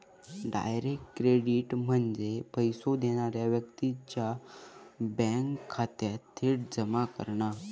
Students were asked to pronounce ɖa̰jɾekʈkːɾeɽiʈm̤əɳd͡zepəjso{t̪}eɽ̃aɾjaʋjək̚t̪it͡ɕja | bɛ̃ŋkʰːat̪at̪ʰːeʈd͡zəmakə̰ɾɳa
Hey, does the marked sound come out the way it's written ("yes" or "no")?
no